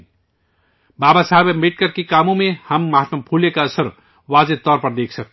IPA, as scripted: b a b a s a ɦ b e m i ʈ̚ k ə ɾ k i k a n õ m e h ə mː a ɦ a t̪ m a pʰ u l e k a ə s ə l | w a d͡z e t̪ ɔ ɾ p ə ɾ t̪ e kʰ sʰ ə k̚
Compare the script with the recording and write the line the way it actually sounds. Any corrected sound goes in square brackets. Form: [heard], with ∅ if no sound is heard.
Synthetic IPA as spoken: b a b a s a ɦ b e m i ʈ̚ k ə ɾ k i k a [m] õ m e h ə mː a ɦ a t̪ m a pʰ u l e k a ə s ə [ɾ] | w a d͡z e t̪ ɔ ɾ p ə ɾ [d̪] e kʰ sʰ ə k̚